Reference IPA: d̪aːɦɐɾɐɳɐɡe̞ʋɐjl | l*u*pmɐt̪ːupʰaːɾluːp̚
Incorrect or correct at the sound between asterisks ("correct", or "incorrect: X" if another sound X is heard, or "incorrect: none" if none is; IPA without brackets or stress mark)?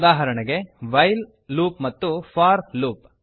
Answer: incorrect: uː